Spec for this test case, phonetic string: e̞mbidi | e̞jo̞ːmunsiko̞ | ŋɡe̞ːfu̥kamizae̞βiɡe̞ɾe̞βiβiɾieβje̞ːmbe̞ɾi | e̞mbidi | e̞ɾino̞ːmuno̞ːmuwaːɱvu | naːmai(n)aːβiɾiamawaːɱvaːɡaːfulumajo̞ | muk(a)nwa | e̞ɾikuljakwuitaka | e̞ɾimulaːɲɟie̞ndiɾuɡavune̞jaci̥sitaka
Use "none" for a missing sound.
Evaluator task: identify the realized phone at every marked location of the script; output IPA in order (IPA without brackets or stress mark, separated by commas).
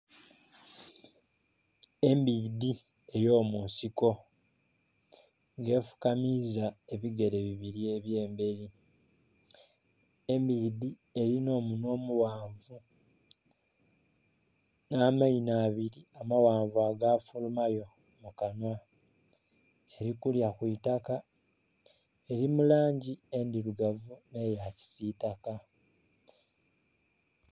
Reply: n, a